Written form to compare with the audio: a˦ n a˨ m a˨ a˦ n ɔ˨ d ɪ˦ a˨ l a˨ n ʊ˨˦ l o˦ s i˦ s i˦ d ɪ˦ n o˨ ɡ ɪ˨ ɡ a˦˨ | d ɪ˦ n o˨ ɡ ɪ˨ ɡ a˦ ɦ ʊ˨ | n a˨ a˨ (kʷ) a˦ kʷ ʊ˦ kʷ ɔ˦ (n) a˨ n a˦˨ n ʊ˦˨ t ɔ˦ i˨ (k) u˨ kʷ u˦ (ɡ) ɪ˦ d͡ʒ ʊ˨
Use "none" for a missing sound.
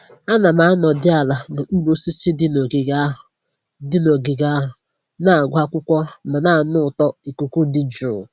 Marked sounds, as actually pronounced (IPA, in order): ɡʷ, m, k, d

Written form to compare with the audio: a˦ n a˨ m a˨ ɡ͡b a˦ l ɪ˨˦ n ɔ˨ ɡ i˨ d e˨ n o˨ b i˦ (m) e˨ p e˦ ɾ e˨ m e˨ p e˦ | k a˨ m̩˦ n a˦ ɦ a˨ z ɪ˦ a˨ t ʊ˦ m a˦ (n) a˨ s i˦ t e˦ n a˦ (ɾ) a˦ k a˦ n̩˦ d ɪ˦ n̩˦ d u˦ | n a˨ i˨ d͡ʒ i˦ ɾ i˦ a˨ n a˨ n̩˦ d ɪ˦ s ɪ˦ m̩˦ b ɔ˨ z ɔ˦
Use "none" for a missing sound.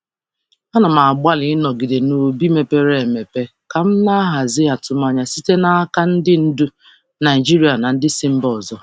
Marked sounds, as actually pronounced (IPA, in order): m, ɲ, none

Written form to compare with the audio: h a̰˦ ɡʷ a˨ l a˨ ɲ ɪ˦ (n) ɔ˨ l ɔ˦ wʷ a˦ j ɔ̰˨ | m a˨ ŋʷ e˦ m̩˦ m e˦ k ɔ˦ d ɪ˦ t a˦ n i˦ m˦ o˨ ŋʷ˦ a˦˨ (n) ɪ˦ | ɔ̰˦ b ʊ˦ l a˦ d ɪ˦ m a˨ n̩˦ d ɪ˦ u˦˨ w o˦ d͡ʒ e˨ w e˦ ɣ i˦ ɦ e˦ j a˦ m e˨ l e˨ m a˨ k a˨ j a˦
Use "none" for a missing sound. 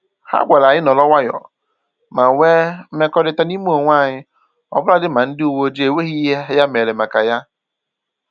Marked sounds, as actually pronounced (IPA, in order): n, ɲ

